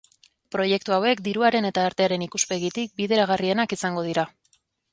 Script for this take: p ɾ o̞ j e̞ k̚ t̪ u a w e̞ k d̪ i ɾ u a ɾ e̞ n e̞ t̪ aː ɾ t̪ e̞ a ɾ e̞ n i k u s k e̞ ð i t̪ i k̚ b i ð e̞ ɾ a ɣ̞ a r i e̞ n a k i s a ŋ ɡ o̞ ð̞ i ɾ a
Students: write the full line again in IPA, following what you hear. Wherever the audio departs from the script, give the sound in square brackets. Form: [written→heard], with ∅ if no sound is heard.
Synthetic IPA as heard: p ɾ o̞ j e̞ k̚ t̪ u a w e̞ k d̪ i ɾ u a ɾ e̞ n e̞ t̪ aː ɾ t̪ e̞ a ɾ e̞ n i k u s [k→p] e̞ [ð→ɣ] i t̪ i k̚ b i ð e̞ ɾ a ɣ̞ a r i e̞ n a k i s a ŋ ɡ o̞ ð̞ i ɾ a